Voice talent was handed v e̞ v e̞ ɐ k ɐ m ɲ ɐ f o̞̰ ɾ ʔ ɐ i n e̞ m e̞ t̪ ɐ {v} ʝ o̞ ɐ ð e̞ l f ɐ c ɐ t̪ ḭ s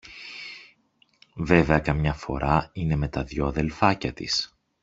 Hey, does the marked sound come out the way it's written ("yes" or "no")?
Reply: no